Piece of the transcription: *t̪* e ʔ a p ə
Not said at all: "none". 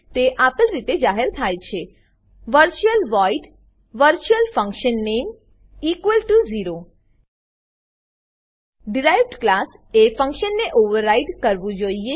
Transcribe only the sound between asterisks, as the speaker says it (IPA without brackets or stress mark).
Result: t̪